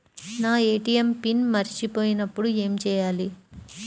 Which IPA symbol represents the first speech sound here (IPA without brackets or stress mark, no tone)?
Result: n